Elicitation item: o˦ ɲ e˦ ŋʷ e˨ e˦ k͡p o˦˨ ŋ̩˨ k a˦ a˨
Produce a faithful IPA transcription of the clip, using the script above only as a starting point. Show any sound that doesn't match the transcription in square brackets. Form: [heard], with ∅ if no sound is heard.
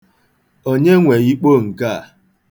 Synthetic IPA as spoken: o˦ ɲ e˦ ŋʷ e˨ [i˦] k͡p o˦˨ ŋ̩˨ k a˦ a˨